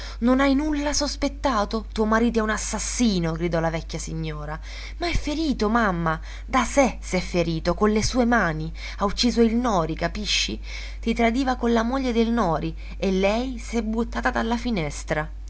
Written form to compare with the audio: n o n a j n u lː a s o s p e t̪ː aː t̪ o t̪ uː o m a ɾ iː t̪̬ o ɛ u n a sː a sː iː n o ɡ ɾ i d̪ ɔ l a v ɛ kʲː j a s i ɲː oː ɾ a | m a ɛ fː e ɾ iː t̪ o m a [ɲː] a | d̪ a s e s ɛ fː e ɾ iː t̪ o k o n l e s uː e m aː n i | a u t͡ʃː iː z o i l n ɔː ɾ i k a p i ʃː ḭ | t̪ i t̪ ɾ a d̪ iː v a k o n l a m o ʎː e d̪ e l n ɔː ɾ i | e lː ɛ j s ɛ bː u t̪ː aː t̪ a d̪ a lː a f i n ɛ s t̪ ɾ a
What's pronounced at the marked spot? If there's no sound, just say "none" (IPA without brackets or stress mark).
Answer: mː